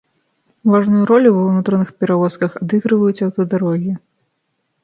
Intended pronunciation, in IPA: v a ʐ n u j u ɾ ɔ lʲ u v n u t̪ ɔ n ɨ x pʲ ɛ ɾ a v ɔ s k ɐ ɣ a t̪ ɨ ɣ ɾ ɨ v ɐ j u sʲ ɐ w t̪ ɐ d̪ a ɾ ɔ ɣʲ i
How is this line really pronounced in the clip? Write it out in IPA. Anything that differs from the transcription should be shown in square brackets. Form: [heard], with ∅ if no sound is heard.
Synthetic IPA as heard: v a ʐ n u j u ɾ ɔ lʲ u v n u t̪ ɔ n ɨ x pʲ ɛ ɾ a v ɔ s k ɐ [x] a [d̪] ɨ ɣ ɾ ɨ v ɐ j u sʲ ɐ w t̪ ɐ d̪ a ɾ ɔ ɣʲ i